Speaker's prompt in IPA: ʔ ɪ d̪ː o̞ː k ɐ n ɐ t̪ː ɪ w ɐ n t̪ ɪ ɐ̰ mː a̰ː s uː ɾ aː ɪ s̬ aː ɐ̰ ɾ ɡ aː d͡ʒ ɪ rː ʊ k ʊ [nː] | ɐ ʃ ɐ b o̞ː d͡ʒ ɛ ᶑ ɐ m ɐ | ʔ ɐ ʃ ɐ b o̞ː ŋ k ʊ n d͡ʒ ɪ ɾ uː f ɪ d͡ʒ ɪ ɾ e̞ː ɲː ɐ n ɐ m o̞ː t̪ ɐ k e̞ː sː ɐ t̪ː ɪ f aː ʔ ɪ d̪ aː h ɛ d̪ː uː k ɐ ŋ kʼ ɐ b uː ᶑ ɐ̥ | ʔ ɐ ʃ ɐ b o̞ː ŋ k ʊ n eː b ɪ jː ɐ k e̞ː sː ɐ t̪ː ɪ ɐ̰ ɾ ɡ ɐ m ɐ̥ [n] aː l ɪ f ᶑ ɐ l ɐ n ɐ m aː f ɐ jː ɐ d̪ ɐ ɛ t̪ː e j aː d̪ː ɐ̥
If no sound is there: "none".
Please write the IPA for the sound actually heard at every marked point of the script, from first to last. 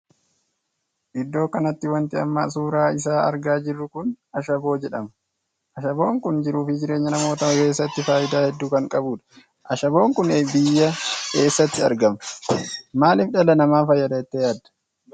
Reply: n, m

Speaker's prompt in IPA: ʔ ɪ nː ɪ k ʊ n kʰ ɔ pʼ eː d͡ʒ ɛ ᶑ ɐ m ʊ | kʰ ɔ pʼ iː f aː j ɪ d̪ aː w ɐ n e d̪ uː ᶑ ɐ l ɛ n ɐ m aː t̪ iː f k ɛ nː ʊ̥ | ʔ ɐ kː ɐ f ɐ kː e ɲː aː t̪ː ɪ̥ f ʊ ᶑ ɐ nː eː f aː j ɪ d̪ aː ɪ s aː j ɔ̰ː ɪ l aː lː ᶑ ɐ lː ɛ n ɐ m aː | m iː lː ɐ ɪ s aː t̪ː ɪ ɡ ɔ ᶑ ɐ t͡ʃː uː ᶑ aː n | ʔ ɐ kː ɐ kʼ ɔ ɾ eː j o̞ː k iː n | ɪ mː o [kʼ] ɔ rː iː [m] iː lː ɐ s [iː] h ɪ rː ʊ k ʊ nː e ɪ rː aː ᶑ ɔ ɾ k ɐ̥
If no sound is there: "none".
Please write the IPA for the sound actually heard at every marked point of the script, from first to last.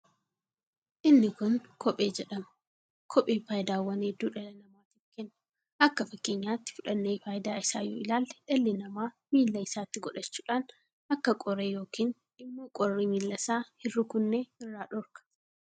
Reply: kʼ, m, aː

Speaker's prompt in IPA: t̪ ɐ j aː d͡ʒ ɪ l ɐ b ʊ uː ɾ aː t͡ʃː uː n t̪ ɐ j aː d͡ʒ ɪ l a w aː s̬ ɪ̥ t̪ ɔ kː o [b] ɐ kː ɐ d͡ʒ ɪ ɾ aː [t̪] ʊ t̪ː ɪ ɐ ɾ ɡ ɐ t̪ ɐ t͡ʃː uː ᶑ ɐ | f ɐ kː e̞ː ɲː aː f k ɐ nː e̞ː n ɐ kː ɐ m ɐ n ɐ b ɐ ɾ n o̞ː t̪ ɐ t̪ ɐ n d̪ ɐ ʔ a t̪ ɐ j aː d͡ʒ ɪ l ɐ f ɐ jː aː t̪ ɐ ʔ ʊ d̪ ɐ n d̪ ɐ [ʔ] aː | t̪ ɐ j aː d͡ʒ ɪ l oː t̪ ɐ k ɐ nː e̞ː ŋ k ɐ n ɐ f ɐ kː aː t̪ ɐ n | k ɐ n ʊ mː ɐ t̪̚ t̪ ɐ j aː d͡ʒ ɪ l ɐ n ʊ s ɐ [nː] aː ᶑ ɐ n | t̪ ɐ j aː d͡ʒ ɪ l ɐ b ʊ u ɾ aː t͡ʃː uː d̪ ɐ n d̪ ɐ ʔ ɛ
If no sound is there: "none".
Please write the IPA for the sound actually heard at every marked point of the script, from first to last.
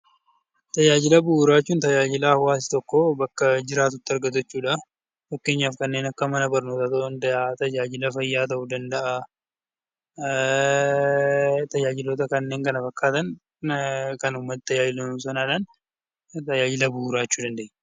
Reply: b, t̪, ʔ, n

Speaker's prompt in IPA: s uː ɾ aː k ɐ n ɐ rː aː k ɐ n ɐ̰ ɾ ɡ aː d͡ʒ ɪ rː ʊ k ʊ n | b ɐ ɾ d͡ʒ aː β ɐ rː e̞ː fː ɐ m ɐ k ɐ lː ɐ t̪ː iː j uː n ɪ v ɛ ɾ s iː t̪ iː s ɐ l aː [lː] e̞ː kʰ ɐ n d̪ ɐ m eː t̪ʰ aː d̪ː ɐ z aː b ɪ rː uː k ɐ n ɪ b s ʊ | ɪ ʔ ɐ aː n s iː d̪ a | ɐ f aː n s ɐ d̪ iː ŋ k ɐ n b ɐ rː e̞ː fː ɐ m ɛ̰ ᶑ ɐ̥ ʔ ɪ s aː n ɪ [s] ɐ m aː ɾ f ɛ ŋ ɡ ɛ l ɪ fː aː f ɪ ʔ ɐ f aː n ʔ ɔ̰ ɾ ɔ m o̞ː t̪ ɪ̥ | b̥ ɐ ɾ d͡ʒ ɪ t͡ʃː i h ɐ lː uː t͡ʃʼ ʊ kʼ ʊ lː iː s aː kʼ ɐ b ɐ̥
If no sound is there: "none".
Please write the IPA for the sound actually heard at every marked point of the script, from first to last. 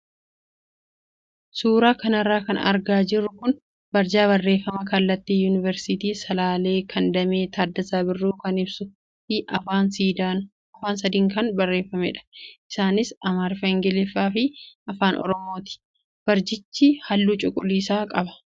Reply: l, s

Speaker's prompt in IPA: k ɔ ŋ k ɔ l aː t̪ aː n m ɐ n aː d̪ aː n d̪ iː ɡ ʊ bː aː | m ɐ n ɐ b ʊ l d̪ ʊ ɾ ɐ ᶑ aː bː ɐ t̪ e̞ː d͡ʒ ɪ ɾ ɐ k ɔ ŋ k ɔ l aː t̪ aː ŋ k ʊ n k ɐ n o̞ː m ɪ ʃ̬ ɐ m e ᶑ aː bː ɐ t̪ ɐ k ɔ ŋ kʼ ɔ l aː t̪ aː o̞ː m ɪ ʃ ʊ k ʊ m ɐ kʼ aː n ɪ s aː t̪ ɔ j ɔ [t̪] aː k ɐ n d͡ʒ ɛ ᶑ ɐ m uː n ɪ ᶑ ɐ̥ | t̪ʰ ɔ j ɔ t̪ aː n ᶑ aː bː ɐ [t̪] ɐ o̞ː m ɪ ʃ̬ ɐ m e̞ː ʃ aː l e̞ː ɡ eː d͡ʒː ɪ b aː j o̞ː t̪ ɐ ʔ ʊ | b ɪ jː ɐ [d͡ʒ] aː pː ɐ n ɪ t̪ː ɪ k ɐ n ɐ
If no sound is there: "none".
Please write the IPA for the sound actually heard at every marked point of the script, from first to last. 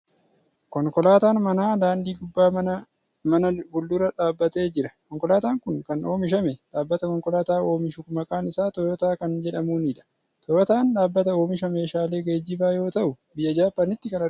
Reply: t̪, t̪, d͡ʒ

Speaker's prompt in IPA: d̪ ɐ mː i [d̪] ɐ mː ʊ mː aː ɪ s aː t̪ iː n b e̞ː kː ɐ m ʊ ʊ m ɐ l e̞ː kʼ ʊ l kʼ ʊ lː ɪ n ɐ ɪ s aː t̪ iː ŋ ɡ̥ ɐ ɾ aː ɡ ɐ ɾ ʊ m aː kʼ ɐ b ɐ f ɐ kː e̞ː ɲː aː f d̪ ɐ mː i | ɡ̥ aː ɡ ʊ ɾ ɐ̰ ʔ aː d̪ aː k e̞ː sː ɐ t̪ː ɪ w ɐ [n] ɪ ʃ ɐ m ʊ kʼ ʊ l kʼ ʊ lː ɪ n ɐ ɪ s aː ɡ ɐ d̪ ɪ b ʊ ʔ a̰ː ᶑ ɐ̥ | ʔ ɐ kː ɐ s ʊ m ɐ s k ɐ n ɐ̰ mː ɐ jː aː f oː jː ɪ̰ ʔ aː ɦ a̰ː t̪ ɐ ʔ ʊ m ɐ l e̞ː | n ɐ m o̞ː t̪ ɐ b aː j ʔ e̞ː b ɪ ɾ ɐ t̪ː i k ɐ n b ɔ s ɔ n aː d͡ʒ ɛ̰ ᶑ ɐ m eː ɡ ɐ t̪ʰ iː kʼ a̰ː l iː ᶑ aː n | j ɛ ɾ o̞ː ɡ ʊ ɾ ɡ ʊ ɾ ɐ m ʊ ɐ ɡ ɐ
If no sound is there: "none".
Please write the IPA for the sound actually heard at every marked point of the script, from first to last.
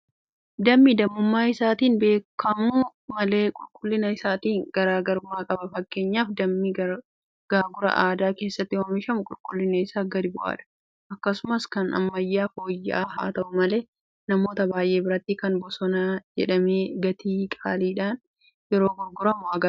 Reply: d̪, m

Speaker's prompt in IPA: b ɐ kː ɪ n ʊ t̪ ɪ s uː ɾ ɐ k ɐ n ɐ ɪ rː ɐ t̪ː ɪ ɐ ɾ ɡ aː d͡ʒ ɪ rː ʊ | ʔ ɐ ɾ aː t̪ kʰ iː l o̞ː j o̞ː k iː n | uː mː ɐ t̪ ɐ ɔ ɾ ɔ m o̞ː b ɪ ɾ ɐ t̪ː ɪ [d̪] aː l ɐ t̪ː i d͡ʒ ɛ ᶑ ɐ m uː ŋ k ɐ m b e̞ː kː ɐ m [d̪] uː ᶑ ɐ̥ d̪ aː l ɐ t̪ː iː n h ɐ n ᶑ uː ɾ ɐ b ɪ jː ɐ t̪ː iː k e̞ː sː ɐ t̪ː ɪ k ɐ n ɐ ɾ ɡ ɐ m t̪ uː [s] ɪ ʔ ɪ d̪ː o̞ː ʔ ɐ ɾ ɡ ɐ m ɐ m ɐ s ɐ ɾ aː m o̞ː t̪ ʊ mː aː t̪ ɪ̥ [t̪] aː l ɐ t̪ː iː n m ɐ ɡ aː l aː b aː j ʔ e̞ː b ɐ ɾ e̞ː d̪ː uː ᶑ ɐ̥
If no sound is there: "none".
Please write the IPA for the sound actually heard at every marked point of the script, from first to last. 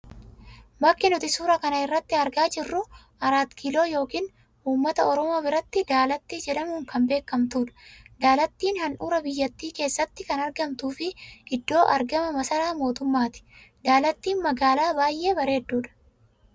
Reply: d̪, t̪, f, d̪

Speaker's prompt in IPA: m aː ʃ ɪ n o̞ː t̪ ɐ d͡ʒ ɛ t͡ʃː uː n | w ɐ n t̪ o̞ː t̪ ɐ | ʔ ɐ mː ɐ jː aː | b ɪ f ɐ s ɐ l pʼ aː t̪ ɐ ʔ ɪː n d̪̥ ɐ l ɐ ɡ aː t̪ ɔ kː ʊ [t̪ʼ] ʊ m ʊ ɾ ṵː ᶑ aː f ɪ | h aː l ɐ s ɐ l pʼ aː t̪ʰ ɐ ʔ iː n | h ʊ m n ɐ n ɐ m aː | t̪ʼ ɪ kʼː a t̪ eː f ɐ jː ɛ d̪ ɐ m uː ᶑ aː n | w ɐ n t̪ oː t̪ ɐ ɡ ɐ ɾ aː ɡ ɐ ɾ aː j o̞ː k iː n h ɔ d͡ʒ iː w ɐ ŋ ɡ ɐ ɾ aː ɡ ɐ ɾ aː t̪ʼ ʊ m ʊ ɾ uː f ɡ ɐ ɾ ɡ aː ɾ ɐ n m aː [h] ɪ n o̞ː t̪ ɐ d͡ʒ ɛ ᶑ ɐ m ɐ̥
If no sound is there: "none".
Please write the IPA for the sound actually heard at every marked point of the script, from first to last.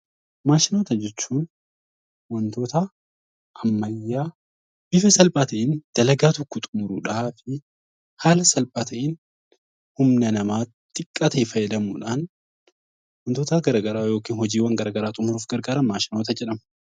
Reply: t̪ʼ, ʃ

